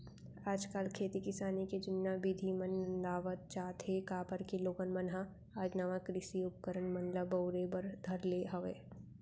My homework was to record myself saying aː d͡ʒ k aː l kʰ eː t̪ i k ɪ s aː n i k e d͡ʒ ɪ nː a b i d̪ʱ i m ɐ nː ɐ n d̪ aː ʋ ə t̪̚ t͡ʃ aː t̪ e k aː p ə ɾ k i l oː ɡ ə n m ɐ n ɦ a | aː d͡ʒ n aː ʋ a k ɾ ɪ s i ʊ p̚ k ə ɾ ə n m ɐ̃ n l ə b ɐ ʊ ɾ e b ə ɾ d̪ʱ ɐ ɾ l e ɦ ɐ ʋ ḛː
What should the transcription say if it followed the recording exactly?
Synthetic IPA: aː d͡ʒ k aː l kʰ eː t̪ i k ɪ s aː n i k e d͡ʒ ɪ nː a b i d̪ʱ i m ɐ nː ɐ n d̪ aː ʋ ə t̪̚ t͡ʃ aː t̪ e k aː p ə ɾ k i l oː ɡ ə n m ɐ n ɦ a | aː d͡ʒ n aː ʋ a k ɾ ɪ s i ʊ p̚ k ə ɾ ə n m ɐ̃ n l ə b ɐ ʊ ɾ e b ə ɾ d̪ʱ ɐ ɾ l e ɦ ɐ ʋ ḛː